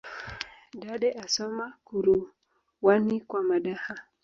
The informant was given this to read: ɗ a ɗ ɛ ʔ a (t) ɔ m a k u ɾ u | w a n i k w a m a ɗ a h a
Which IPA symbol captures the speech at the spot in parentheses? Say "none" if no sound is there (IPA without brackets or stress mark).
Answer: s